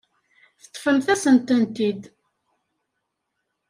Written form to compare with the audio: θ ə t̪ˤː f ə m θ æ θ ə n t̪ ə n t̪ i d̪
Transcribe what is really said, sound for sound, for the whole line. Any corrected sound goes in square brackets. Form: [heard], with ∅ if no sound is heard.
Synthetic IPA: θ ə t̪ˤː f ə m θ æ [s] ə n t̪ ə n t̪ i d̪